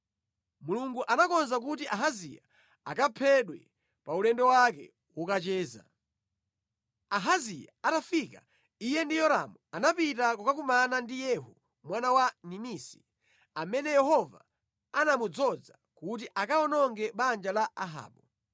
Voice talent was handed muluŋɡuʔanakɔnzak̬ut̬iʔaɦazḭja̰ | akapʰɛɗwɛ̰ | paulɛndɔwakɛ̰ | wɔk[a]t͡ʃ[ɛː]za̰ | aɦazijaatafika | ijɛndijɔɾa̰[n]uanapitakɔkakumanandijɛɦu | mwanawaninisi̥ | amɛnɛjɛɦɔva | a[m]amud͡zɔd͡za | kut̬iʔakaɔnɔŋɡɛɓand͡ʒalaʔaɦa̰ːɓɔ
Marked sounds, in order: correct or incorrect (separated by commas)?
correct, correct, incorrect, incorrect